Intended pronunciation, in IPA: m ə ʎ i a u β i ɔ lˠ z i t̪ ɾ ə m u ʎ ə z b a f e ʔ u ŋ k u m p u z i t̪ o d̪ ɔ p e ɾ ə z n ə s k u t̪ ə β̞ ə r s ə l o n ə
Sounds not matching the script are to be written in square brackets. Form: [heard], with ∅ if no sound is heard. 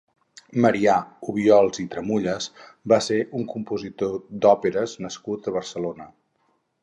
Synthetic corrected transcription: m ə [ɾ] i a u β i ɔ lˠ z i t̪ ɾ ə m u ʎ ə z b a [s] e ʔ u ŋ k u m p u z i t̪ o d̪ ɔ p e ɾ ə z n ə s k u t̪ ə β̞ ə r s ə l o n ə